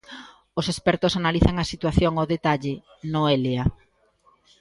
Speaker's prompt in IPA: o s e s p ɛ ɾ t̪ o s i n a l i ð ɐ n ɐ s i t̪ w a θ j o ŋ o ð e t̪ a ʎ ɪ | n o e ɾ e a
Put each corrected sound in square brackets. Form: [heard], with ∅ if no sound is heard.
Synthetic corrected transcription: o s e s p ɛ ɾ t̪ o s [a] n a l i [θ] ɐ [ŋ] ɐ s i t̪ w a θ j o ŋ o ð e t̪ a ʎ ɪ | n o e [l] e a

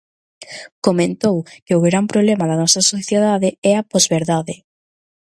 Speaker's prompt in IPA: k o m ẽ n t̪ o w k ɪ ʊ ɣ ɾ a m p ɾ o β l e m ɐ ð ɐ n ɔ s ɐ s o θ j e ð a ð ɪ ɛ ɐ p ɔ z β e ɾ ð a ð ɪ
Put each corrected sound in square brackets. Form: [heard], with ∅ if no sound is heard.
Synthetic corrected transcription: k o m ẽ n t̪ o w k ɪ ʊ ɣ ɾ a m p ɾ o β l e m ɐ ð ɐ n ɔ s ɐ s o θ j e ð a ð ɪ ɛ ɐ p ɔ z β e ɾ ð a ð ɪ

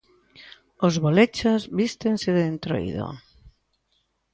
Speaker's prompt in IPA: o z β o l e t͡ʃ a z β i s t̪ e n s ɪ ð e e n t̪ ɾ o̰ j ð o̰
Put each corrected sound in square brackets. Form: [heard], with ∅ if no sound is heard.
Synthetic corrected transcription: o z β o l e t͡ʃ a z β i s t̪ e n s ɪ ð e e n t̪ ɾ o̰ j ð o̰

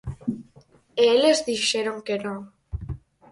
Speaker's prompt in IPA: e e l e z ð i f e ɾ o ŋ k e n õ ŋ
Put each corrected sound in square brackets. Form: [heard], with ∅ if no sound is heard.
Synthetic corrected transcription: e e l e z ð i [ʃ] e ɾ o ŋ k e n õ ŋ

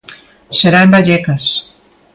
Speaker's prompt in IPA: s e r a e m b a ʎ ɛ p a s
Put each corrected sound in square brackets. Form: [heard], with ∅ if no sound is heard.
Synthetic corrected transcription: s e [ɾ] a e m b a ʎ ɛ [k] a s

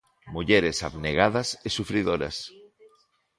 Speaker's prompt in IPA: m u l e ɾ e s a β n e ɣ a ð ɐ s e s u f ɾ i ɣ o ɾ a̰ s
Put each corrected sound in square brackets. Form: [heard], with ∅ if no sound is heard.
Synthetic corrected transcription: m u [ʎ] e ɾ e s a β n e ɣ a ð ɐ s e s u f ɾ i [ð] o ɾ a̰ s

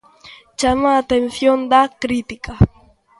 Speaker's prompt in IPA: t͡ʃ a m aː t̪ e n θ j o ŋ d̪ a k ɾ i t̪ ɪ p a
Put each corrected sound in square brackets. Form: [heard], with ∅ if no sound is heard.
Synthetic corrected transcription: t͡ʃ a m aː t̪ e n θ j o [n] d̪ a k ɾ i t̪ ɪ [k] a

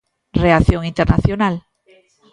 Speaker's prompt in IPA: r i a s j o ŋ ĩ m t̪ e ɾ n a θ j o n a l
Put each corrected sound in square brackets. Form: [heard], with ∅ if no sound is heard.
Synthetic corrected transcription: r [e] a [θ] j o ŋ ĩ [n] t̪ e ɾ n a θ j o n a l

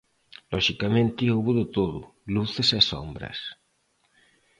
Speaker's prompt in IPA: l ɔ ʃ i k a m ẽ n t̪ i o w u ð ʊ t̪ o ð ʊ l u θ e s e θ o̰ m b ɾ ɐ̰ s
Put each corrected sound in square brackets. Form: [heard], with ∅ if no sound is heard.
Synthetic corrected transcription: l ɔ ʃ i k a m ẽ n t̪ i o [β] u ð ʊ t̪ o ð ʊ l u θ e s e [s] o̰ m b ɾ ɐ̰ s

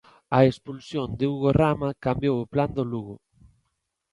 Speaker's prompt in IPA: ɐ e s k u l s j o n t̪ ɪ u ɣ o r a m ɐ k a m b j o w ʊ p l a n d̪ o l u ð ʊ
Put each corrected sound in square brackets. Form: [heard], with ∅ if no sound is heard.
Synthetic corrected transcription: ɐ e s [p] u l s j o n [d̪] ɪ u ɣ o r a m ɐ k a m b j o w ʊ p l a n d̪ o l u [ɣ] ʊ

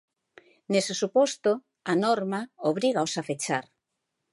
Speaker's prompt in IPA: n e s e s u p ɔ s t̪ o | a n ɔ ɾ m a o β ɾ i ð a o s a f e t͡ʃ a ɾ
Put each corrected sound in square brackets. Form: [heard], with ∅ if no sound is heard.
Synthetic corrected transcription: n e s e s u p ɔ s t̪ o | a n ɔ ɾ m a o β ɾ i [ɣ] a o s a f e t͡ʃ a ɾ

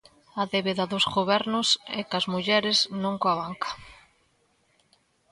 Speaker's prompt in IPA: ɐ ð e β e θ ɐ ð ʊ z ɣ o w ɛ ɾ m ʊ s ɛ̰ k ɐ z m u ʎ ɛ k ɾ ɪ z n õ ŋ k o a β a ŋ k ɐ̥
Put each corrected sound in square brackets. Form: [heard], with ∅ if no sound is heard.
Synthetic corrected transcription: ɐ ð e β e [ð] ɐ ð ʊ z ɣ o [β] ɛ ɾ [n] ʊ s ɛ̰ k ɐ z m u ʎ ɛ [∅] ɾ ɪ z n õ ŋ k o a β a ŋ k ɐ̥

